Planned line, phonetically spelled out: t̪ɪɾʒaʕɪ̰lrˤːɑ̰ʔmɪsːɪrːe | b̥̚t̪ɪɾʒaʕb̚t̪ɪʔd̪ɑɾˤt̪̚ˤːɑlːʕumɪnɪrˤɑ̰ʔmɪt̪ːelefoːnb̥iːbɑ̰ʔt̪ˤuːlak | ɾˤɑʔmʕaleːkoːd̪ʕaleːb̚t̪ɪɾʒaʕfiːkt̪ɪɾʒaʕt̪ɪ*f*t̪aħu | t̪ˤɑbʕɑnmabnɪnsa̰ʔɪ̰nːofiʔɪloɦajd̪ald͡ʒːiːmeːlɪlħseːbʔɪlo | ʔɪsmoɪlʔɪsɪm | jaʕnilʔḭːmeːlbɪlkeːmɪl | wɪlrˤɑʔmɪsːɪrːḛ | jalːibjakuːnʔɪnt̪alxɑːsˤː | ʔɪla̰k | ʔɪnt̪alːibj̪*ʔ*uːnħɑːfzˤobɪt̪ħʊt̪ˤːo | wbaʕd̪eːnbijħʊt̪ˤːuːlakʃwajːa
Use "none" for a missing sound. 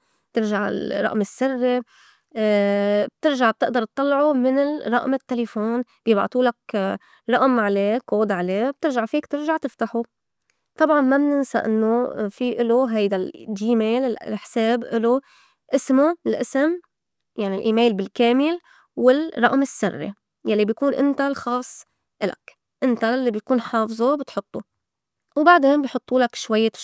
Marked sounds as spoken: f, k

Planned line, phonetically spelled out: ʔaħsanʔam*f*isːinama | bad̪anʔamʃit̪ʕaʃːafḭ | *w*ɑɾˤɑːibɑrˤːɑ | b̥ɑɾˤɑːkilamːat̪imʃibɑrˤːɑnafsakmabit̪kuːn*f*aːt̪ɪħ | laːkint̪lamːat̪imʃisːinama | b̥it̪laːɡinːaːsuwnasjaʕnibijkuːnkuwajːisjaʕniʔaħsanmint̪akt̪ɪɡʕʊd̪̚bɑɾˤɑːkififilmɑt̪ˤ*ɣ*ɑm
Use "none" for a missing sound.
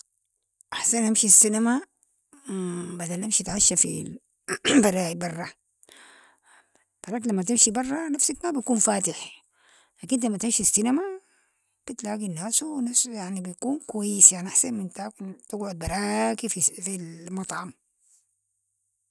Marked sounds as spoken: ʃ, b, f, ʕ

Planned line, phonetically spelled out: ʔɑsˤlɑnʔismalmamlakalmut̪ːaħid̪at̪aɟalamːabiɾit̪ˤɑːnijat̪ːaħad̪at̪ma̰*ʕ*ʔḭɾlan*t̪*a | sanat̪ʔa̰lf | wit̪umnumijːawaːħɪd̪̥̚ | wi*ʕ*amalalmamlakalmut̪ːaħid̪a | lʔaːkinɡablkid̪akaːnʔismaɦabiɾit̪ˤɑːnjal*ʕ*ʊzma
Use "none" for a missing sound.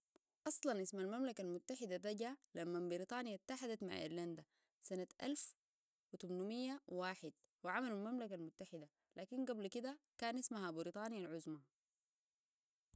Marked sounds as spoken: ʕ, d̪, ʕ, ʕ

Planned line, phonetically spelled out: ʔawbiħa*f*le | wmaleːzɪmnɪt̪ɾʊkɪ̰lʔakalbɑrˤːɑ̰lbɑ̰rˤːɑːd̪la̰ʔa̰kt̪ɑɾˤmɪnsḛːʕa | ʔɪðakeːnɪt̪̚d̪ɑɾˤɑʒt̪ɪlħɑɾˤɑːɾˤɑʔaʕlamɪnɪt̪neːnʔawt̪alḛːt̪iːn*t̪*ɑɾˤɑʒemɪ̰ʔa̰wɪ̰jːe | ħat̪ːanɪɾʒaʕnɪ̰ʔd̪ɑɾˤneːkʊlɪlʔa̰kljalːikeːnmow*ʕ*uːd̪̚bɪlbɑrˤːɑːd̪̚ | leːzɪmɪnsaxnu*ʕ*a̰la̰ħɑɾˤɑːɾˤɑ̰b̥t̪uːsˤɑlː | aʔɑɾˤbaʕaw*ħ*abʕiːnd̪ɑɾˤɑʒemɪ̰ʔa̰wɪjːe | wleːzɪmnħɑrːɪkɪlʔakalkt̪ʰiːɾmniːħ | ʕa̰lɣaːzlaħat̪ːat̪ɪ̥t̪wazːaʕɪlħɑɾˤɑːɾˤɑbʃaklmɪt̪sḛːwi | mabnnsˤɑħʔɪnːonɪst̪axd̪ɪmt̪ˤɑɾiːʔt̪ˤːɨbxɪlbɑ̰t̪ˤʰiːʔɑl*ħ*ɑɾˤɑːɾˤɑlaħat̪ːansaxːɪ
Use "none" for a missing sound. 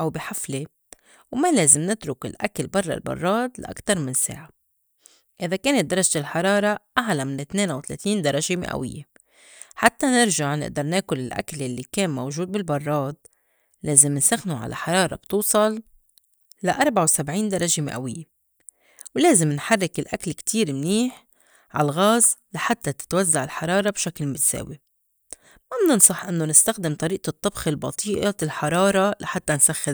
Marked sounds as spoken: f, d̪, ʒ, ʕ, s, ħ

